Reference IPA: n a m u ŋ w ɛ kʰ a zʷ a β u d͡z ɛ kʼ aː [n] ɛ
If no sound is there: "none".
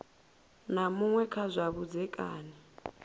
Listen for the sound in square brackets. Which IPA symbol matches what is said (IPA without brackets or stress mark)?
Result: n